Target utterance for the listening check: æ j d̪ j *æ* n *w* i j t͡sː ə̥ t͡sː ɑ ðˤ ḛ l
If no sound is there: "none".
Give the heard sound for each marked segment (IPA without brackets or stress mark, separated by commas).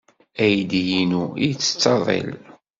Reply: i, u